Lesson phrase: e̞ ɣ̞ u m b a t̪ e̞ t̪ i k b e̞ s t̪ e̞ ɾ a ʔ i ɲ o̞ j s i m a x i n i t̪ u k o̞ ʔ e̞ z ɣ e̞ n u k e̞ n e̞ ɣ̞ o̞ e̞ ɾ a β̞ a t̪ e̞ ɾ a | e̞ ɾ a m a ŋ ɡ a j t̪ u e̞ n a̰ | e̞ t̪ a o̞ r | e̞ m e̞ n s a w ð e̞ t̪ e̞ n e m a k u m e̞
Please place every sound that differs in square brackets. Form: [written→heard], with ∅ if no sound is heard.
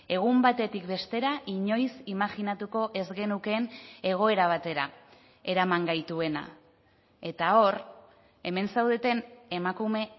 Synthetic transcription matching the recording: e̞ ɣ̞ u m b a t̪ e̞ t̪ i k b e̞ s t̪ e̞ ɾ a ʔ i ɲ o̞ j s i m a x i n [i→a] t̪ u k o̞ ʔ e̞ z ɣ e̞ n u k e̞ n e̞ ɣ̞ o̞ e̞ ɾ a β̞ a t̪ e̞ ɾ a | e̞ ɾ a m a ŋ ɡ a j t̪ u e̞ n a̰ | e̞ t̪ a o̞ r | e̞ m e̞ n s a w ð e̞ t̪ e̞ n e m a k u m e̞